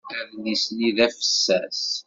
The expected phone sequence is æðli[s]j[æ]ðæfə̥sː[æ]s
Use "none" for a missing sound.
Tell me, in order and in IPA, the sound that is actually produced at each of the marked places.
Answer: s, i, æ

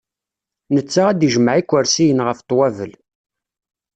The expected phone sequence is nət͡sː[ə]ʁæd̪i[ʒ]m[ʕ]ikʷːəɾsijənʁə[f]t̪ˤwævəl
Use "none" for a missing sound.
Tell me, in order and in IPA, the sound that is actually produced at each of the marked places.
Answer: a, ʒ, ʕ, f

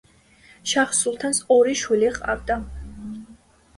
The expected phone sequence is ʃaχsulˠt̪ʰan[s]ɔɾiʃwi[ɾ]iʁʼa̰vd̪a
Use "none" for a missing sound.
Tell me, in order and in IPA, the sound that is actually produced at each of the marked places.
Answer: s, l

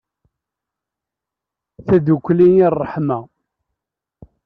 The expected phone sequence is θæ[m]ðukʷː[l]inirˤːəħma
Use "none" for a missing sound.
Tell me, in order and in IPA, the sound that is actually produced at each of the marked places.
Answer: none, l

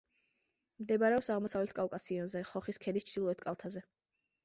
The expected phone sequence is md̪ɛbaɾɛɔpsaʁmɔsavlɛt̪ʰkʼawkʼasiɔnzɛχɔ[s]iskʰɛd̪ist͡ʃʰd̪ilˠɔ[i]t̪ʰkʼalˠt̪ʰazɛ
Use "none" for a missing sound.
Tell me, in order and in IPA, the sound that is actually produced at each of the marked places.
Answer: χ, ɛ

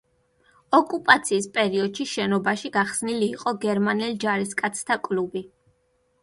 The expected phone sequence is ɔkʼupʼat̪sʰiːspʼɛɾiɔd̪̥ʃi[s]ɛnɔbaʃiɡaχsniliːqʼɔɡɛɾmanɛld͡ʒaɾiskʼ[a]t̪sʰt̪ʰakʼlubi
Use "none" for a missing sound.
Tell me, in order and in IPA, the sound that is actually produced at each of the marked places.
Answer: ʃ, a

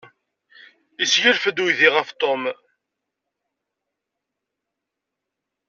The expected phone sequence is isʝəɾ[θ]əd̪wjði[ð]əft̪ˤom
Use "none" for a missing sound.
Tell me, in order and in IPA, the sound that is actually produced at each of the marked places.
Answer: f, ʁ

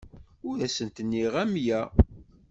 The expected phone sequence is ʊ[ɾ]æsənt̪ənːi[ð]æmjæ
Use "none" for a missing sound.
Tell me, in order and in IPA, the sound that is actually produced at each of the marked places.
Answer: ɾ, ʁ

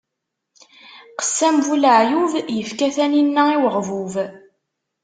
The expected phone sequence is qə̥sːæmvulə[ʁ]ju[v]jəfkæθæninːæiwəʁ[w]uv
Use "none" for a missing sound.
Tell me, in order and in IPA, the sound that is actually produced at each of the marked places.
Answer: ʕ, v, v

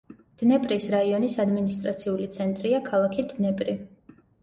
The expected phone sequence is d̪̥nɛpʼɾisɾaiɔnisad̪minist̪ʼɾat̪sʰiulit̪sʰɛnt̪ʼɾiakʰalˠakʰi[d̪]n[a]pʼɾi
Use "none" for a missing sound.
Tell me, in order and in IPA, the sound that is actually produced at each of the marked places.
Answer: d̪, ɛ

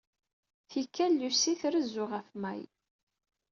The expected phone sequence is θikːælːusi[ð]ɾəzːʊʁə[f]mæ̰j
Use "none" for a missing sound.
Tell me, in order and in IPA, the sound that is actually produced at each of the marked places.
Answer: θ, f

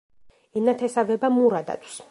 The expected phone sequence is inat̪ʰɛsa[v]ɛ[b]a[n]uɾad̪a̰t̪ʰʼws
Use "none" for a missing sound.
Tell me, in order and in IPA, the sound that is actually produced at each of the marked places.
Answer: v, b, m

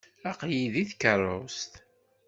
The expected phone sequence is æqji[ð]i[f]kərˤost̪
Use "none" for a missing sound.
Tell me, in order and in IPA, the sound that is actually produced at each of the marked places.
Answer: ð, θ

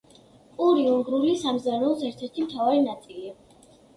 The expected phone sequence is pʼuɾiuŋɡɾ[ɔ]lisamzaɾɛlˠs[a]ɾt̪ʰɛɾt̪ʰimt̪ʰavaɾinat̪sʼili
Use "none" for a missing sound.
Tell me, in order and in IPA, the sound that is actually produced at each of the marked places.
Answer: u, ɛ

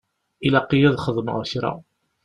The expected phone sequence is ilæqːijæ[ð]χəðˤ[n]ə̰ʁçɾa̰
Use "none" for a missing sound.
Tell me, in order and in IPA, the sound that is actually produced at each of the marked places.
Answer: ð, m

